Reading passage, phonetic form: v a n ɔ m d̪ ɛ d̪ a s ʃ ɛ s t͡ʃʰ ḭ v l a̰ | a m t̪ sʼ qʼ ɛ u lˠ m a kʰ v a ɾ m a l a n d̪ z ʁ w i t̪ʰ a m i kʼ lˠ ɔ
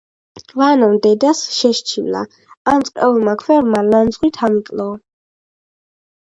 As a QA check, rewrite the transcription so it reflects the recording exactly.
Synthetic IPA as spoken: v a n ɔ m d̪ ɛ d̪ a s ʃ ɛ ʃ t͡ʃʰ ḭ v l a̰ | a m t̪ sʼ qʼ ɛ u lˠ m a kʰ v ɛ ɾ m a l a n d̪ z ʁ w i t̪ʰ a m i kʼ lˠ ɔ